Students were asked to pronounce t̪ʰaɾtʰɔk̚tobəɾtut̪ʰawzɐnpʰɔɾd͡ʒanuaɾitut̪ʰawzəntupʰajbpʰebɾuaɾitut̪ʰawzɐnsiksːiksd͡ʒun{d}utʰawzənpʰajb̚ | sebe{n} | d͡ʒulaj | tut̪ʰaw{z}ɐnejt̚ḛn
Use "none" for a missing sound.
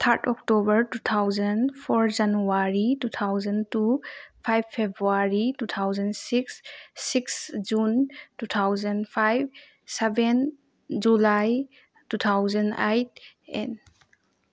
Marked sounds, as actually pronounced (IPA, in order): t, n, z

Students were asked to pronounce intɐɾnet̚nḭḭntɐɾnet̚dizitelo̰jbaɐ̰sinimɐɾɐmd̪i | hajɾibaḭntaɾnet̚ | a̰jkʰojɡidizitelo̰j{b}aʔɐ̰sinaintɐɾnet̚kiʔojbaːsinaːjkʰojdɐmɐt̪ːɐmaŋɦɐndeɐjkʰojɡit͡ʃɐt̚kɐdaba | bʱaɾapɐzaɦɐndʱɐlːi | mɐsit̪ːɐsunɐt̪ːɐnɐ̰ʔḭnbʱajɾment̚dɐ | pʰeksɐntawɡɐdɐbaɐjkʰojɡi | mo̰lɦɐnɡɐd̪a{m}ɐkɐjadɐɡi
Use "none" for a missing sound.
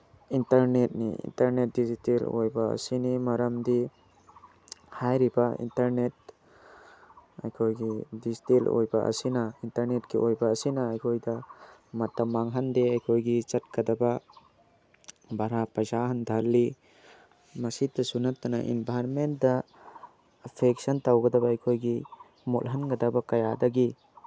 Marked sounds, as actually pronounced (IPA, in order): b, b

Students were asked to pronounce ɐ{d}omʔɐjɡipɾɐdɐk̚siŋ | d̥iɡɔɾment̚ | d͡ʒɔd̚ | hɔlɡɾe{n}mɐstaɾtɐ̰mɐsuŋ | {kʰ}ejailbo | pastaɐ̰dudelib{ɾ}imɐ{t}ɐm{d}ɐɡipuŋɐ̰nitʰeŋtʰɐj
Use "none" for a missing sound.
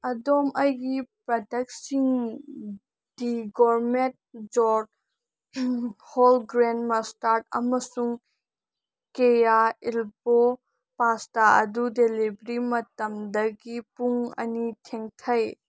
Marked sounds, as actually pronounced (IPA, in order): d, n, k, ɾ, t, d

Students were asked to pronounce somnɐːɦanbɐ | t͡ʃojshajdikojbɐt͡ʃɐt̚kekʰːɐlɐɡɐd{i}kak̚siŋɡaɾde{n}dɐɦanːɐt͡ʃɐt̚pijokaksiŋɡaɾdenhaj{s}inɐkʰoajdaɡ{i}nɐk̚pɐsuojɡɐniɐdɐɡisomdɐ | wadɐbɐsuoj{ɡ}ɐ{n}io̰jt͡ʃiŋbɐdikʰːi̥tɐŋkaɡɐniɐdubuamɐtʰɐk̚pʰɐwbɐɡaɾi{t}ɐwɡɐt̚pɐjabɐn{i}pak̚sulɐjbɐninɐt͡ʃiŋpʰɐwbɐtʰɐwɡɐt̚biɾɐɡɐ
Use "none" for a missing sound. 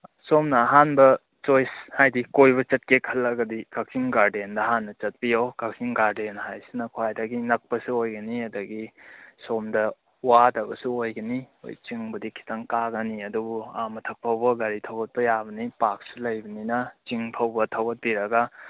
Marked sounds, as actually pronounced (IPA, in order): i, n, s, i, ɡ, n, tʰ, i

